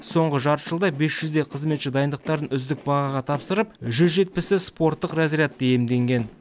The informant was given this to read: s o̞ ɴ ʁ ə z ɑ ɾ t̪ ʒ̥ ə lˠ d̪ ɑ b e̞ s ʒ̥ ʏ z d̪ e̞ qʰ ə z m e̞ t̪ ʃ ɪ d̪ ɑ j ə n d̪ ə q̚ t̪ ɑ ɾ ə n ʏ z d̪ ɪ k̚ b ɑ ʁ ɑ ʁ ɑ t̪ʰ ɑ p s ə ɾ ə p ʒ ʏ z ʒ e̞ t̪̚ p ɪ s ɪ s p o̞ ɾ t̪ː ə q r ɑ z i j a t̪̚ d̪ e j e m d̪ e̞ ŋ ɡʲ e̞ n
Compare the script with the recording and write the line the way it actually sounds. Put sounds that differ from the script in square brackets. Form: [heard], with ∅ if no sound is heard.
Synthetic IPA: s o̞ ɴ ʁ ə [ʒ] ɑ ɾ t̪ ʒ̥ ə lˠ d̪ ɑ b e̞ s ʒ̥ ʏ z d̪ e̞ qʰ ə z m e̞ t̪ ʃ ɪ d̪ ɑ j ə n d̪ ə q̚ t̪ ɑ ɾ ə n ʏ z d̪ ɪ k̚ b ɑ ʁ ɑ ʁ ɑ t̪ʰ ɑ p s ə ɾ ə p ʒ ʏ z ʒ e̞ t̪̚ p ɪ s ɪ s p o̞ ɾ t̪ː ə q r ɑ z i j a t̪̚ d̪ e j e m d̪ e̞ ŋ ɡʲ e̞ n